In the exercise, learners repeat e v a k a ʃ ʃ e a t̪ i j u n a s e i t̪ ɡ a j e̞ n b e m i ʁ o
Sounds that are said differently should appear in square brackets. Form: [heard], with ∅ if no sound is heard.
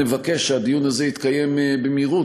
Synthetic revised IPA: e v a k [e] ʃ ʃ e a [d̪] i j u n a [z] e i t̪ [k] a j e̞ [m] b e m i ʁ [u]